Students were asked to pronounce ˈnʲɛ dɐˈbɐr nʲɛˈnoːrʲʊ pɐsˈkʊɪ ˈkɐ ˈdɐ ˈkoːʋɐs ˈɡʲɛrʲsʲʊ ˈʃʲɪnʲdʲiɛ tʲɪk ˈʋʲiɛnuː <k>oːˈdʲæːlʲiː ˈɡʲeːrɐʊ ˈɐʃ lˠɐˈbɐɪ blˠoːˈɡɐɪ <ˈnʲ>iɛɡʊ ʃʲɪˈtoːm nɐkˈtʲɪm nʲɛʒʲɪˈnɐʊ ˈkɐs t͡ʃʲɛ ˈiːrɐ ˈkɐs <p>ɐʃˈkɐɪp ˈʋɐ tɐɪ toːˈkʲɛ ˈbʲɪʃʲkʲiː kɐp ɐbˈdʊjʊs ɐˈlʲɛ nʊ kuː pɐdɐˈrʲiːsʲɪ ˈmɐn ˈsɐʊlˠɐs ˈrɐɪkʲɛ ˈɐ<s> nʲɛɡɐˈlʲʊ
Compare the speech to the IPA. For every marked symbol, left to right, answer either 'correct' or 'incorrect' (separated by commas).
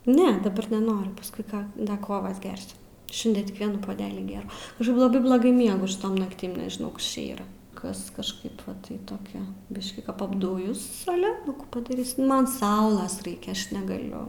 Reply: incorrect, incorrect, incorrect, incorrect